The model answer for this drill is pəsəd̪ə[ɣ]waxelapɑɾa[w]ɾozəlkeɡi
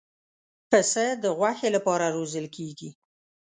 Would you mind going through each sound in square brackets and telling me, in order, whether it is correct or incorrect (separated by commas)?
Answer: correct, incorrect